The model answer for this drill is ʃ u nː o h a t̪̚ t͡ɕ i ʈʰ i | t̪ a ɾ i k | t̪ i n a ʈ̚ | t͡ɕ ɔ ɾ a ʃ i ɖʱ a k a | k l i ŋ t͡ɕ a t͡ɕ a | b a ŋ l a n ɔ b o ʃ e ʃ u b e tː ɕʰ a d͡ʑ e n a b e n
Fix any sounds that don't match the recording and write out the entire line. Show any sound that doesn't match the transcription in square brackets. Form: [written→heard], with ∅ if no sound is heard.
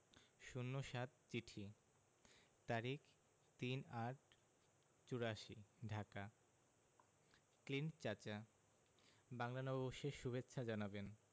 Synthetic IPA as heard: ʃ u nː o [h→ʃ] a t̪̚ t͡ɕ i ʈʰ i | t̪ a ɾ i k | t̪ i n a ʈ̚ | t͡ɕ [ɔ→u] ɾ a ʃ i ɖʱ a k a | k l i [ŋ→n] t͡ɕ a t͡ɕ a | b a ŋ l a n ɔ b o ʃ e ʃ u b e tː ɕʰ a d͡ʑ [e→a] n a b e n

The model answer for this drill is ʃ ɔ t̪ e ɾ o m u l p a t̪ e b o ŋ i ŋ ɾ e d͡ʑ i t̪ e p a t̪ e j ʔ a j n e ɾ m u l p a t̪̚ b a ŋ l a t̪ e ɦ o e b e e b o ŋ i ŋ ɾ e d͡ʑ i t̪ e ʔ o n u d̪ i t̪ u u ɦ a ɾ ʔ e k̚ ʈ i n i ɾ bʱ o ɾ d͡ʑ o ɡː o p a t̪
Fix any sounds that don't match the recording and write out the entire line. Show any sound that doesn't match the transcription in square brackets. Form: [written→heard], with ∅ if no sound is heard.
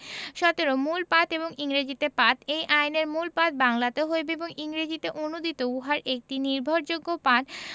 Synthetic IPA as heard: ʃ ɔ t̪ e ɾ o m u l p a t̪ e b o ŋ i ŋ ɾ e d͡ʑ i t̪ e p a t̪ e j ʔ a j n e ɾ m u l p a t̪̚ b a ŋ l a t̪ e ɦ o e b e e b o ŋ i ŋ ɾ e d͡ʑ i t̪ e ʔ o n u d̪ i t̪ [u→o] u ɦ a ɾ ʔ e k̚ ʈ i n i ɾ bʱ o ɾ d͡ʑ o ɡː o p a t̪

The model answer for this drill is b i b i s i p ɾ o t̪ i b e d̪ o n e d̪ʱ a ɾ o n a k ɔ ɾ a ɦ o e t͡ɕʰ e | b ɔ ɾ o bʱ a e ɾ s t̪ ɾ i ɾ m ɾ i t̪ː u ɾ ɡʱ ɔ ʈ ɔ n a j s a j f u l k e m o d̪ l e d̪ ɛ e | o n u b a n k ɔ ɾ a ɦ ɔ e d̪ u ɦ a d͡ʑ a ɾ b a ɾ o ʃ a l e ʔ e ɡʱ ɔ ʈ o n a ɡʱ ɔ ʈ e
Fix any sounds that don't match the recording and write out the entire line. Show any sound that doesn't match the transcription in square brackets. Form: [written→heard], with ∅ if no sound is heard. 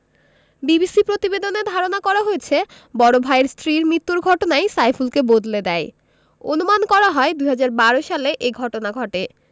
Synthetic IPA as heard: b i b i s i p ɾ o t̪ i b e d̪ o n e d̪ʱ a ɾ o n a k ɔ ɾ a ɦ o e t͡ɕʰ e | b ɔ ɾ o bʱ a e ɾ s t̪ ɾ i ɾ m ɾ i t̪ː u ɾ ɡʱ ɔ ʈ [ɔ→o] n a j s a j f u l k e [m→b] o d̪ l e d̪ ɛ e | o n u [b→m] a n k ɔ ɾ a ɦ ɔ e d̪ u ɦ a d͡ʑ a ɾ b a ɾ o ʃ a l e ʔ e ɡʱ ɔ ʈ o n a ɡʱ ɔ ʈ e

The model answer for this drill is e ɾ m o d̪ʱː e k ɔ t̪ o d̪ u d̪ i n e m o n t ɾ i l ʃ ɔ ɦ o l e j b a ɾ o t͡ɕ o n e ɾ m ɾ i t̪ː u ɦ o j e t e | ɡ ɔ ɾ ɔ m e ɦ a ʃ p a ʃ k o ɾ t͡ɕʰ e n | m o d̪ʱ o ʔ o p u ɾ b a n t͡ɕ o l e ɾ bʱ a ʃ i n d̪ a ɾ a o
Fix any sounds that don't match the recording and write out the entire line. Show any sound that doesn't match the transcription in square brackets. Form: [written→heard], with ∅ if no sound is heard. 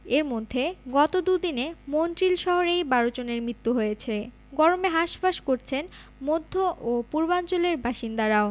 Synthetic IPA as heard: e ɾ m o d̪ʱː e [k→ɡ] ɔ t̪ o d̪ u d̪ i n e m o n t ɾ i l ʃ ɔ ɦ o [l→ɾ] e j b a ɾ o t͡ɕ o n e ɾ m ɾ i t̪ː u ɦ o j e [t→t͡ɕʰ] e | ɡ ɔ ɾ [ɔ→o] m e ɦ a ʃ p a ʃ k o ɾ t͡ɕʰ e n | m o [d̪ʱ→d̪ʱː] o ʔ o p u ɾ b a n t͡ɕ o l e ɾ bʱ a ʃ i n d̪ a ɾ a o

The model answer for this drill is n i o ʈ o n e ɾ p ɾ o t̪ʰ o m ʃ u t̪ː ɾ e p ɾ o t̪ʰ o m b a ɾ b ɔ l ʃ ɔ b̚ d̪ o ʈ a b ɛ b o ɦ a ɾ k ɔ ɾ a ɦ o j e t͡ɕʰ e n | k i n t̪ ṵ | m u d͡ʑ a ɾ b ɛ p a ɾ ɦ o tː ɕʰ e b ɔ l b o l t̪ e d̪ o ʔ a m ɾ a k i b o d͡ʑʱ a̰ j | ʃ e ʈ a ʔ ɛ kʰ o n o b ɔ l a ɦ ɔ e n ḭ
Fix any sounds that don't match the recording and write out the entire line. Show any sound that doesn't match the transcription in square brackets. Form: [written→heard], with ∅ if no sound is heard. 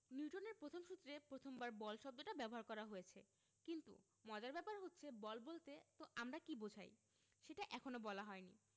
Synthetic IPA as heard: n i [o→u] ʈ o n e ɾ p ɾ o t̪ʰ o m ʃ u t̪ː ɾ e p ɾ o t̪ʰ o m b a ɾ b ɔ l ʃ ɔ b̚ d̪ o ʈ a b ɛ b o ɦ a ɾ k ɔ ɾ a ɦ o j e t͡ɕʰ e [n→∅] | k i n t̪ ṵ | m [u→ɔ] d͡ʑ a ɾ b ɛ p a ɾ ɦ o tː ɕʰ e b ɔ l b o l t̪ e [d̪→t̪] o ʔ a m ɾ a k i b o d͡ʑʱ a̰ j | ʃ e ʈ a ʔ ɛ kʰ o n o b ɔ l a ɦ ɔ e n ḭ

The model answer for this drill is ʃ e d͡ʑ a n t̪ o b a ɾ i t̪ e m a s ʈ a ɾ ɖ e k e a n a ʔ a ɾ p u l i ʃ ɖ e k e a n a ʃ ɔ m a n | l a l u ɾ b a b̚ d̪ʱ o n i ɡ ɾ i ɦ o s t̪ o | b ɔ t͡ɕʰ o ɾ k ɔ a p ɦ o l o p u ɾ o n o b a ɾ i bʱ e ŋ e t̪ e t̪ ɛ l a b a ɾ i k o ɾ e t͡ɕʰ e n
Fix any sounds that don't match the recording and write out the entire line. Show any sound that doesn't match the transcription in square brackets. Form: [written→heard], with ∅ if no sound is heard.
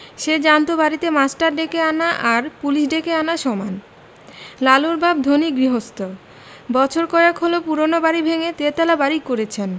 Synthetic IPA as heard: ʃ e d͡ʑ a n t̪ o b a ɾ i t̪ e m a s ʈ a ɾ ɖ e k e a n a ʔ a ɾ p u l i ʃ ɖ e k e a n a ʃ ɔ m a n | l a l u ɾ b a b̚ d̪ʱ o n i ɡ ɾ i ɦ o s t̪ o | b ɔ t͡ɕʰ o ɾ k ɔ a [p→k] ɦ o l o p u ɾ o n o b a ɾ i bʱ e ŋ e t̪ e t̪ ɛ l a b a ɾ i k o ɾ e t͡ɕʰ e n

